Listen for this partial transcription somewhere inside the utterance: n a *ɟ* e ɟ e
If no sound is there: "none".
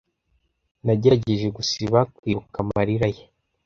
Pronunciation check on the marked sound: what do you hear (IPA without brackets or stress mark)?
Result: ɟ